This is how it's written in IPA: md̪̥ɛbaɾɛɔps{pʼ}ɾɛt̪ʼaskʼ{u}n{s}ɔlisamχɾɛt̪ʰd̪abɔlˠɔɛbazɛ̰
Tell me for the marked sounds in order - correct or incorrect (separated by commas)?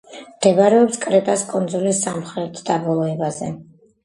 incorrect, incorrect, incorrect